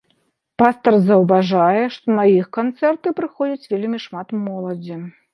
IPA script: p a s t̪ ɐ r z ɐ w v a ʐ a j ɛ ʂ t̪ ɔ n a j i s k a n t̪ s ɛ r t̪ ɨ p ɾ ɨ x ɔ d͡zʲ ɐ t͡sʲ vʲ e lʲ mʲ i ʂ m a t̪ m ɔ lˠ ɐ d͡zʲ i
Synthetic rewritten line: p a s t̪ ɐ r z ɐ w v a ʐ a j ɛ ʂ t̪ ɔ n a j i x k a n t̪ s ɛ r t̪ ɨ p ɾ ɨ x ɔ d͡zʲ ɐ t͡sʲ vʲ e lʲ mʲ i ʂ m a t̪ m ɔ lˠ ɐ d͡zʲ i